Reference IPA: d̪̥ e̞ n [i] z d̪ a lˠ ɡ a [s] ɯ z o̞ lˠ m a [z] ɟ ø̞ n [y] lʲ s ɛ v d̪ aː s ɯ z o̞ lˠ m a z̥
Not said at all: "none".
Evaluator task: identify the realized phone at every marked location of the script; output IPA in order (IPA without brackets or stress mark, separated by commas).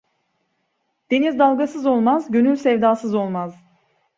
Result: i, s, z, y